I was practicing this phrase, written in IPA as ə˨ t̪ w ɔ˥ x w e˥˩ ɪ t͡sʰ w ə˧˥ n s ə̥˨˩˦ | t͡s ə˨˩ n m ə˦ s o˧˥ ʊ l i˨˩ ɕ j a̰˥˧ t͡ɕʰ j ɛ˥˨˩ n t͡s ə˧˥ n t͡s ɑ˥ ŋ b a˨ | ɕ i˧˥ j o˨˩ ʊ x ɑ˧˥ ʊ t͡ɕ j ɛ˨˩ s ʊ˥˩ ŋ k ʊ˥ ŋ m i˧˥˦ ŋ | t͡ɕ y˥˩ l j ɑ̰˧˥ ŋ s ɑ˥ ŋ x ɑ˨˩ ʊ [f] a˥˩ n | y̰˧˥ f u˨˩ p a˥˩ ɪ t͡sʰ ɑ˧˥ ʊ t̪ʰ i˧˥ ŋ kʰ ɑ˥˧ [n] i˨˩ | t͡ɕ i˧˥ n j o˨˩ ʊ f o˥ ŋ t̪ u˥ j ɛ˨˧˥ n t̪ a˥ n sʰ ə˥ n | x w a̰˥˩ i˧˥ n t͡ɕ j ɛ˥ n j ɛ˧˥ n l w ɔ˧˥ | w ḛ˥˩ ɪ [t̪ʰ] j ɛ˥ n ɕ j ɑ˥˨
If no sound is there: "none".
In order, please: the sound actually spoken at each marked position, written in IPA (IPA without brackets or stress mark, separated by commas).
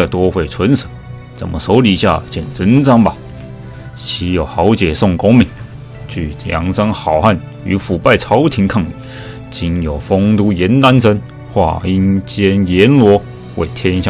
x, ŋ, t̪ʰ